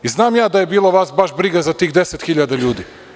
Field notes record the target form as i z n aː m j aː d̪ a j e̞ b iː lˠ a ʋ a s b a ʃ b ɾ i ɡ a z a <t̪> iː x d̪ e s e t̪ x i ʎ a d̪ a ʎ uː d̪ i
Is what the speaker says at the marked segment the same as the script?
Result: yes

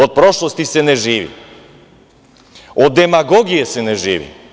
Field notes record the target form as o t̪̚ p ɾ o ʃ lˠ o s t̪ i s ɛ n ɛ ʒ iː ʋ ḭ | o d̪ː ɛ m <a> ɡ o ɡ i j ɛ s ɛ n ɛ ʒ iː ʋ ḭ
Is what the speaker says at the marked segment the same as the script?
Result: yes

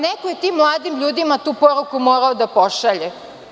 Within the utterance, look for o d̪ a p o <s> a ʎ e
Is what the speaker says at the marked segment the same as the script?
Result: no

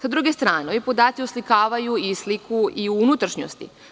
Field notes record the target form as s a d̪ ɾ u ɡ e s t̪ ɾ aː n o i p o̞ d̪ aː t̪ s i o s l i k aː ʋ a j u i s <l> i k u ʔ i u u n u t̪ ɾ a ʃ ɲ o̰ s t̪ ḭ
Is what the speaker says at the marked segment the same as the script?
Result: yes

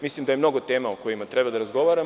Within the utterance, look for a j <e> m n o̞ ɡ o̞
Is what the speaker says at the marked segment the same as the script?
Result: yes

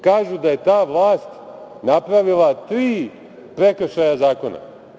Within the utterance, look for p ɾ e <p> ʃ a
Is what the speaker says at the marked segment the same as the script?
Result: no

